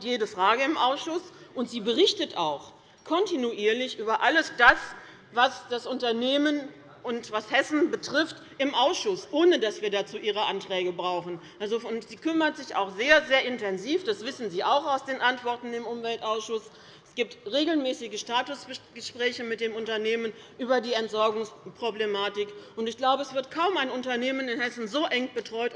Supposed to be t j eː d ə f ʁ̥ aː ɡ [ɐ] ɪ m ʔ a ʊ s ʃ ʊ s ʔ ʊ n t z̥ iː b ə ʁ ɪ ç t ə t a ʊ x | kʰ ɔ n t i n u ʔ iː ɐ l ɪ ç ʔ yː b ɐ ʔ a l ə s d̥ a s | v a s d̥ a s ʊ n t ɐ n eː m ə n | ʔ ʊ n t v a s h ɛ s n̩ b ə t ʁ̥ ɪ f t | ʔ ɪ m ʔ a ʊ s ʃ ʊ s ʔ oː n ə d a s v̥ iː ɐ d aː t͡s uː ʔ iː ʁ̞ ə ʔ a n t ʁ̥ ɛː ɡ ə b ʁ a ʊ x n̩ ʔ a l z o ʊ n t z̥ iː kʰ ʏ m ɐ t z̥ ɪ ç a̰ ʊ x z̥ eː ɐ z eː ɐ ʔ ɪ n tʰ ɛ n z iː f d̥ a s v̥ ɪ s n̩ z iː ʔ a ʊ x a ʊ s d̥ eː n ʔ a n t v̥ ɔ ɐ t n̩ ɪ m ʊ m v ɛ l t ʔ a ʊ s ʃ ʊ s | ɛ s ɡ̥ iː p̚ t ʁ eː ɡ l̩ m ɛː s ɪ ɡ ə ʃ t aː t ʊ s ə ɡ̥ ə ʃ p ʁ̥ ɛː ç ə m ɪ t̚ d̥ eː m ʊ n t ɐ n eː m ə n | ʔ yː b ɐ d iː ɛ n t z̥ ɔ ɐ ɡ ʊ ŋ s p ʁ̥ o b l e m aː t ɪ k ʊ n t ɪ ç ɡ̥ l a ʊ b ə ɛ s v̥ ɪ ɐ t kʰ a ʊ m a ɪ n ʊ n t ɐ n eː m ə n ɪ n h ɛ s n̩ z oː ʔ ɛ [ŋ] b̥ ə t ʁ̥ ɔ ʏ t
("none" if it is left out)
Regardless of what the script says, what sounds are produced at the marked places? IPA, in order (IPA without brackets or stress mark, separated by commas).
ə, ŋ